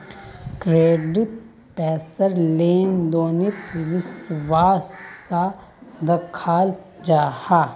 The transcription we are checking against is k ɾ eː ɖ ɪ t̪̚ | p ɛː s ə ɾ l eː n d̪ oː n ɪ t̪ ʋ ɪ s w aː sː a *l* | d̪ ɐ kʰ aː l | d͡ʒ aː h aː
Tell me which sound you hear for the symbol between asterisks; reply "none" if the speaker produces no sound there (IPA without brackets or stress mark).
none